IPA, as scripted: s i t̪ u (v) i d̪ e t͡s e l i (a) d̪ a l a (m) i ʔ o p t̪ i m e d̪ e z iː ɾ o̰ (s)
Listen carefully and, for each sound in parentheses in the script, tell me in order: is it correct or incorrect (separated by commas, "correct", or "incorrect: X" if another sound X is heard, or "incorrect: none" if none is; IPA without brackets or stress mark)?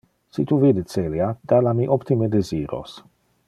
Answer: correct, correct, correct, correct